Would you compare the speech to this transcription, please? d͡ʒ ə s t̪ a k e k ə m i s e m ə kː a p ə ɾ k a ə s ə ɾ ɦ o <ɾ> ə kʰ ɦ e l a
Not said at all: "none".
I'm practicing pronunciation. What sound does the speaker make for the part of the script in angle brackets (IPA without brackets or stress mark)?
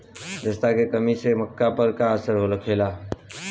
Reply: l